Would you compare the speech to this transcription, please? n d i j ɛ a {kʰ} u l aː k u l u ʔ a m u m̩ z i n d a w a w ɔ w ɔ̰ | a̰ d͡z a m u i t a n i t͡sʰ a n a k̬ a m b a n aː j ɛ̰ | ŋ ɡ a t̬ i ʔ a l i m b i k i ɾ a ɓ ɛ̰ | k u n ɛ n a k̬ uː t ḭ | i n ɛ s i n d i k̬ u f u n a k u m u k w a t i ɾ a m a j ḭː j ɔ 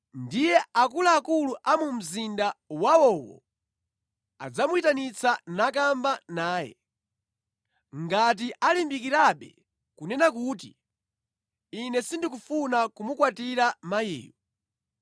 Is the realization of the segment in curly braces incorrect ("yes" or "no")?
yes